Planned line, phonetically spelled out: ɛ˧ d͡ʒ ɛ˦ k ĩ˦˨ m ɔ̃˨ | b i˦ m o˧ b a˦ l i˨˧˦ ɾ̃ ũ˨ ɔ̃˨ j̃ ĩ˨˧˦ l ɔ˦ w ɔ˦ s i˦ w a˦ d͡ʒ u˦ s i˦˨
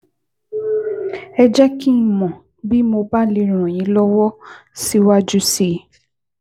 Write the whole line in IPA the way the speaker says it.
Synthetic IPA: ɛ˧ d͡ʒ ɛ˦ k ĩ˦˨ m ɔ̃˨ | b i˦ m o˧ b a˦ l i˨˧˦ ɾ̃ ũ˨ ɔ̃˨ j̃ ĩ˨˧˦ l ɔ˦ w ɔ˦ s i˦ w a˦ d͡ʒ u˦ s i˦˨